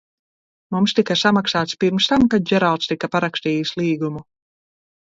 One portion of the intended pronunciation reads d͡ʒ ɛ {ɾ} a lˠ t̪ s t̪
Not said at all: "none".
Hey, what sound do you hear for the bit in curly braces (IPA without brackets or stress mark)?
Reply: ɾ